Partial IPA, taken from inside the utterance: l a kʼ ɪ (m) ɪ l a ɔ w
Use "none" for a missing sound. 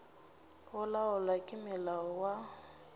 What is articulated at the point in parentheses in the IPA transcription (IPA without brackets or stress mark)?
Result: m